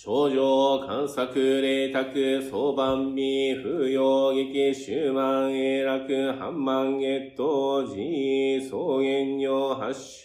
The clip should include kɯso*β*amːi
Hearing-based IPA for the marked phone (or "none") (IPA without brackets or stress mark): b